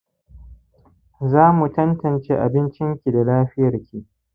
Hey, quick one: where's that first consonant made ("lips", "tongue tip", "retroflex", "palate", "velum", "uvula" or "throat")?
tongue tip